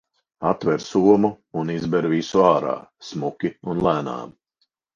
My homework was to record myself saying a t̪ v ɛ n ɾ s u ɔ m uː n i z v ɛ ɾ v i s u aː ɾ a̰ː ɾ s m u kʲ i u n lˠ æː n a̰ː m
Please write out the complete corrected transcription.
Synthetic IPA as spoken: a t̪ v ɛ ɾ s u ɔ m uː n i z b ɛ ɾ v i s u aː ɾ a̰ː s m u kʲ i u n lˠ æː n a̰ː m